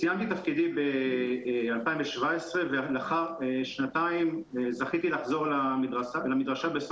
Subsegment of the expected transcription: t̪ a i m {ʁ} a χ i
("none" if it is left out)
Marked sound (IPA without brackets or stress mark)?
z